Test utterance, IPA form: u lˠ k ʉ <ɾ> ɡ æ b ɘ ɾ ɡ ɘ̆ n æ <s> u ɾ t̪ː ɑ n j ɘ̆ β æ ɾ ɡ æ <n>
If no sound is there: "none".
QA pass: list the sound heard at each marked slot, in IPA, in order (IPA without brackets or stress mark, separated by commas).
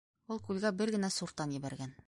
l, s, n